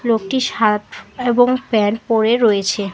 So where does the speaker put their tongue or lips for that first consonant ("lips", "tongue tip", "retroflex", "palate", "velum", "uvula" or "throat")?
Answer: tongue tip